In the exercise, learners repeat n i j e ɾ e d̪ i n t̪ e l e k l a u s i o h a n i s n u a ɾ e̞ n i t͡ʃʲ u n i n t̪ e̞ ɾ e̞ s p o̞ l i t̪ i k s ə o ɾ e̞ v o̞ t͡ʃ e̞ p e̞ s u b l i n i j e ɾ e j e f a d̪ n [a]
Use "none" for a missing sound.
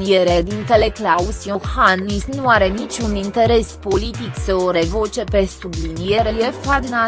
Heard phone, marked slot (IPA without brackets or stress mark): a